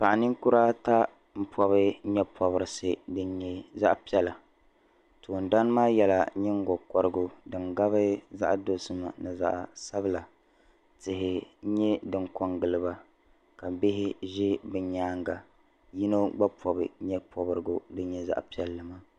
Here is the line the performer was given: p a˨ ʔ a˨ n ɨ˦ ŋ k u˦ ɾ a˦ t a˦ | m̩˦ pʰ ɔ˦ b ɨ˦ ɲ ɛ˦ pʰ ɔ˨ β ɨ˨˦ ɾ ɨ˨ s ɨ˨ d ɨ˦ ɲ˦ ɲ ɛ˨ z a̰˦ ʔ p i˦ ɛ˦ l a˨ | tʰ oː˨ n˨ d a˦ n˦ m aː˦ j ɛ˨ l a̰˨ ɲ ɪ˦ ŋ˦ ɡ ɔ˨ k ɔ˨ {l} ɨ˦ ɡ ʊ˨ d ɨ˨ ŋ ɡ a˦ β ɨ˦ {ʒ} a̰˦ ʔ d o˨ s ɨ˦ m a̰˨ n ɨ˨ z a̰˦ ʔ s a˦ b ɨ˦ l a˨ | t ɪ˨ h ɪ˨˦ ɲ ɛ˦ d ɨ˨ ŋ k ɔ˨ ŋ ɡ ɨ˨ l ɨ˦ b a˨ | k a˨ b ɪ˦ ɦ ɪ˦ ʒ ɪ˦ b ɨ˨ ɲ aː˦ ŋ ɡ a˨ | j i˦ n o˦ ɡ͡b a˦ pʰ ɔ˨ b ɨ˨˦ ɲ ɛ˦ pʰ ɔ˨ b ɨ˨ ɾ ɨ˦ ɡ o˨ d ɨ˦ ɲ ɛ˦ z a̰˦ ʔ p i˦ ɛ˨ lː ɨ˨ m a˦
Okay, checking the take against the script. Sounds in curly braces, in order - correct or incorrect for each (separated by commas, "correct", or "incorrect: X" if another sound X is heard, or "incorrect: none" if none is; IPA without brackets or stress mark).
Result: incorrect: ɾ, incorrect: z